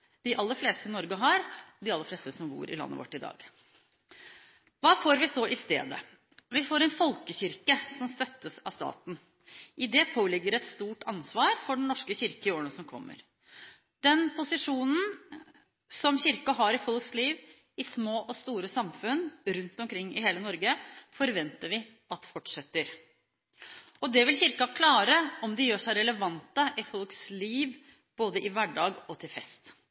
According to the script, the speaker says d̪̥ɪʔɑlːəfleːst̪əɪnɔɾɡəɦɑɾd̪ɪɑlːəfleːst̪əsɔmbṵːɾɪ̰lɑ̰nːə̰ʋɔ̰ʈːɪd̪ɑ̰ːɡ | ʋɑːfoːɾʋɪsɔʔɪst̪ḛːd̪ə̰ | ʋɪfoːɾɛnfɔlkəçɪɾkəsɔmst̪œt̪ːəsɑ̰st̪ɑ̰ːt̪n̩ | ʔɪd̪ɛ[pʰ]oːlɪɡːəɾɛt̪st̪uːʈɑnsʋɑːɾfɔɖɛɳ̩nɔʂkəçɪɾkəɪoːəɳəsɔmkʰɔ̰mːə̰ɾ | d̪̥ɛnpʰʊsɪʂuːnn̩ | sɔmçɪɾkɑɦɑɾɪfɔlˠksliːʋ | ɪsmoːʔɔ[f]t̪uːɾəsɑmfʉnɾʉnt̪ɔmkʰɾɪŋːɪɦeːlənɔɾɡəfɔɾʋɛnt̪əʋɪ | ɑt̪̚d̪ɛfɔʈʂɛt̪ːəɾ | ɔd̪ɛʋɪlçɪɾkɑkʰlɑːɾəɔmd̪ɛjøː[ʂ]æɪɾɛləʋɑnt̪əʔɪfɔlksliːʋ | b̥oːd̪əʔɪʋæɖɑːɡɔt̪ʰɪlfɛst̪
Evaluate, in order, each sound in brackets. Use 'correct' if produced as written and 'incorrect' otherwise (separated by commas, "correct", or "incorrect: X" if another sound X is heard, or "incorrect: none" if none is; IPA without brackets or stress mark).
correct, incorrect: s, correct